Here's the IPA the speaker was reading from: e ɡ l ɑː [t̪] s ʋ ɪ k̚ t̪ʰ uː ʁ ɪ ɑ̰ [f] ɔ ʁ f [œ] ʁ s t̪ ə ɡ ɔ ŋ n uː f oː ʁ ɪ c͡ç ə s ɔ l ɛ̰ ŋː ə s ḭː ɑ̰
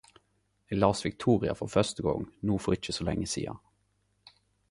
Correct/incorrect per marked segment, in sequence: incorrect, correct, correct

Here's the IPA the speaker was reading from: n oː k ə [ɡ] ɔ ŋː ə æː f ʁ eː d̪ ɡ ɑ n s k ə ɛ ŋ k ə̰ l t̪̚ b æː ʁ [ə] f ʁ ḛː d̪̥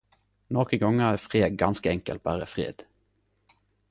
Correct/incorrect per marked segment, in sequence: correct, correct

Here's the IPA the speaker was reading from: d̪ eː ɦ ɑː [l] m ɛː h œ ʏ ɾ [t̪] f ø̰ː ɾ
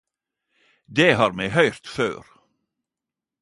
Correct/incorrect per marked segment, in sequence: incorrect, correct

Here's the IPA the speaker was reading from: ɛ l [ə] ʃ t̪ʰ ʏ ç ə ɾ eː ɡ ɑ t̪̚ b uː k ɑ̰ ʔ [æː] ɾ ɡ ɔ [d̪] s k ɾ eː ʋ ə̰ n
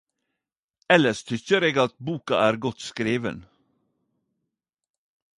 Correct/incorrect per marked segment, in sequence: correct, correct, incorrect

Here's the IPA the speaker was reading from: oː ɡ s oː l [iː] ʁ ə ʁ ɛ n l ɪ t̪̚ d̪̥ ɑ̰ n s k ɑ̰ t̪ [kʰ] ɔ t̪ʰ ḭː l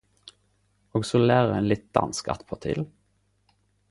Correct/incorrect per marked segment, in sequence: incorrect, incorrect

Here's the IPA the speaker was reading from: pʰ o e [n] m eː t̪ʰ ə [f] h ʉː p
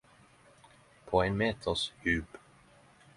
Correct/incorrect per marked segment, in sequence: correct, incorrect

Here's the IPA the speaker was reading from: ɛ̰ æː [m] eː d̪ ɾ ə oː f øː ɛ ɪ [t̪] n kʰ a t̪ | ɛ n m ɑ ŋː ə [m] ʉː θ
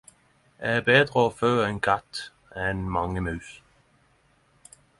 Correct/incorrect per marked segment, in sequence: incorrect, incorrect, correct

